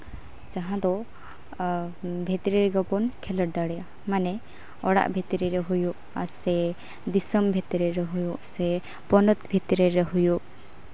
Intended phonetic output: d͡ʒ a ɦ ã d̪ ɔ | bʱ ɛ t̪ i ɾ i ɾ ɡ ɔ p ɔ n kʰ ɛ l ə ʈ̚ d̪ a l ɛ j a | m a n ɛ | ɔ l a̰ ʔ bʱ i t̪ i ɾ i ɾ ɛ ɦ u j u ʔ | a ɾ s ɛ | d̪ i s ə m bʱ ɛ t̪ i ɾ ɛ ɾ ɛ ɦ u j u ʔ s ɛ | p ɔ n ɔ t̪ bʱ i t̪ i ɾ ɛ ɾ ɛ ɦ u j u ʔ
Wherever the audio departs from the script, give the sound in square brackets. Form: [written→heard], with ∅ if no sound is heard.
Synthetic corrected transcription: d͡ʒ a ɦ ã d̪ ɔ | bʱ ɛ t̪ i ɾ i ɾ ɡ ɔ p ɔ n kʰ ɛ l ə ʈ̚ d̪ a [l→ɽ] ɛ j a | m a n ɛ | ɔ [l→ɽ] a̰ ʔ bʱ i t̪ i ɾ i ɾ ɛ ɦ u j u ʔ | a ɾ s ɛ | d̪ i s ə m bʱ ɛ t̪ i ɾ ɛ ɾ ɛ ɦ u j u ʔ s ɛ | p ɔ n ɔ t̪ bʱ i t̪ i ɾ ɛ ɾ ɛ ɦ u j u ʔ